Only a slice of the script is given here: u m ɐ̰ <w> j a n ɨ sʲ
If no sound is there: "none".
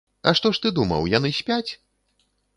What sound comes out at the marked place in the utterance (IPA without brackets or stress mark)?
w